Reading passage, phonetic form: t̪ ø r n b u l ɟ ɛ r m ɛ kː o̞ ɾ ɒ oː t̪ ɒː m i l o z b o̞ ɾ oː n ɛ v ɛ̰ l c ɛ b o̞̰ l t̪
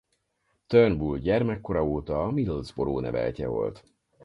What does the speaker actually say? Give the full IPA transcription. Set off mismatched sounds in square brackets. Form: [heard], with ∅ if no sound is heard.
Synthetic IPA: t̪ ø r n b u l ɟ ɛ r m ɛ kː o̞ ɾ ɒ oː t̪ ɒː m i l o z b o̞ ɾ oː n ɛ v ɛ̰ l c ɛ [v] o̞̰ l t̪